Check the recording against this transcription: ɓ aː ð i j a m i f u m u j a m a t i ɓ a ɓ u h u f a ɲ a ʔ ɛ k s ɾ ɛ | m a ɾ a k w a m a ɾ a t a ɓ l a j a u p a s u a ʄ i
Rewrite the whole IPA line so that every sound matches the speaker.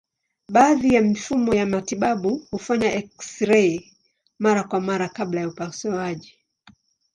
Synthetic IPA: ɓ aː ð i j a m i f u m ɔ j a m a t i ɓ a ɓ u h u f a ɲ a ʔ ɛ k s ɾ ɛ | m a ɾ a k w a m a ɾ a k a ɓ l a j a u p a s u a ʄ i